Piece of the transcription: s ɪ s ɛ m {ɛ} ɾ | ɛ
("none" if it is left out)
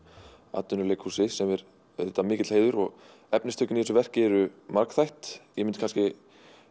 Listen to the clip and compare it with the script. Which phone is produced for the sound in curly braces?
ɛ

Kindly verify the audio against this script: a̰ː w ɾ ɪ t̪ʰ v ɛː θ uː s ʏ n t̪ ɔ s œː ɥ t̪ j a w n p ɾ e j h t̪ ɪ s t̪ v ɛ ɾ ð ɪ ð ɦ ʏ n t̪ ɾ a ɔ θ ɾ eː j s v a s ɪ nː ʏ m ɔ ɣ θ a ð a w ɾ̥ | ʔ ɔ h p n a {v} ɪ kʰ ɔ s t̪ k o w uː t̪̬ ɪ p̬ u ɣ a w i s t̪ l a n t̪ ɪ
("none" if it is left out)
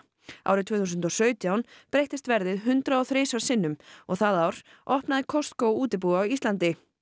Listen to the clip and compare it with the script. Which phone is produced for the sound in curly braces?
ð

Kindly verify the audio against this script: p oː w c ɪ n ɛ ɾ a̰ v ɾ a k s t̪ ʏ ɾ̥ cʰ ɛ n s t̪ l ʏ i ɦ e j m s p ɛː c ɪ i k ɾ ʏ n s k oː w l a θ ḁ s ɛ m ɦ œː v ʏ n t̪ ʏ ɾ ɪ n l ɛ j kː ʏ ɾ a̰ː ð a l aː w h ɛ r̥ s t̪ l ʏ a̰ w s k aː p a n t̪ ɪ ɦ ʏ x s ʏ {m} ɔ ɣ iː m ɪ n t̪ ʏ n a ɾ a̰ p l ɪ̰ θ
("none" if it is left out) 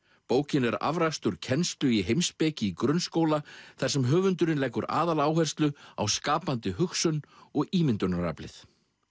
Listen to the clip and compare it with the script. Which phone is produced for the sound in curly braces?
n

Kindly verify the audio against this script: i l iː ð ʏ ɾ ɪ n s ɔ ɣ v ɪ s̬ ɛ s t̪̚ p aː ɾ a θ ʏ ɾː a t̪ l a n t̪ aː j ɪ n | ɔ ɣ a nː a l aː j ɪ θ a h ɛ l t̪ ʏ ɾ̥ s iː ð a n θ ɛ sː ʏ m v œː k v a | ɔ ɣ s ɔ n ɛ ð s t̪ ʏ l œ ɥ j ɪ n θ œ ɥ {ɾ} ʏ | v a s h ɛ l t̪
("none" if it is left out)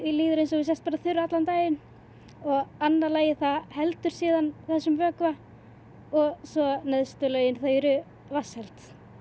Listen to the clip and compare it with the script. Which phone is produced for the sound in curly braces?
ɾ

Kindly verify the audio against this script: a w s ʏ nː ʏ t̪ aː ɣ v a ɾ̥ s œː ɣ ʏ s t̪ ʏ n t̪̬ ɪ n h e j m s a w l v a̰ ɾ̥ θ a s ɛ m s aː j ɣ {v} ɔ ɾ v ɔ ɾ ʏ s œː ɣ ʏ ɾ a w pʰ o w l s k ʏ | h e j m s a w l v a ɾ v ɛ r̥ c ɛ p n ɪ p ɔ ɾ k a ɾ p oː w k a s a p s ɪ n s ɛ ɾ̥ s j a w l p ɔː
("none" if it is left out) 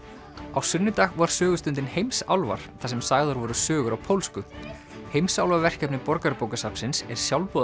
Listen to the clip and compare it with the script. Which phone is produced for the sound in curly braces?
ð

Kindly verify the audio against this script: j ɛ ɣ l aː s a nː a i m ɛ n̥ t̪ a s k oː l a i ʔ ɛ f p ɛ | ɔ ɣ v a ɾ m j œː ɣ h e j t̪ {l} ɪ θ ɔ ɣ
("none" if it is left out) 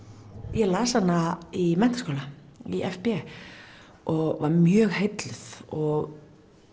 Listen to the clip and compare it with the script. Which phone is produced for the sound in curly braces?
l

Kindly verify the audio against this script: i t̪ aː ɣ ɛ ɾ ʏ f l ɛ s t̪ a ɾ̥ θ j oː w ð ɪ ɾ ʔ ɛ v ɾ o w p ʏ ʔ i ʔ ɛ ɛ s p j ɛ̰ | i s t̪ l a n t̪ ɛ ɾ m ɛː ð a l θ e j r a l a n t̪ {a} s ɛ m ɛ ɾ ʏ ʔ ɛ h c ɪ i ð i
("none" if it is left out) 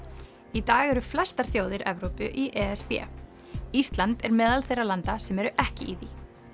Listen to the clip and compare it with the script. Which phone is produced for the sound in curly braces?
a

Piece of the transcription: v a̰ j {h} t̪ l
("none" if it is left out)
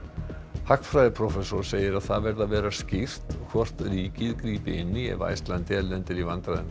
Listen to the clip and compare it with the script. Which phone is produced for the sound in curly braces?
s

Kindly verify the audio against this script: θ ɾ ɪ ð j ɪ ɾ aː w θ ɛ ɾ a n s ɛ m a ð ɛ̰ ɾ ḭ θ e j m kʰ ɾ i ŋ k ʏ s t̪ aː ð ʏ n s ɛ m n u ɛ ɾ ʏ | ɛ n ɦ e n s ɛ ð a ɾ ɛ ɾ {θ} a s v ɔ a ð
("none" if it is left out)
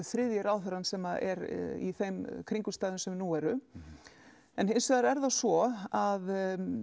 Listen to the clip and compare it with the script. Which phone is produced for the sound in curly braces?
ð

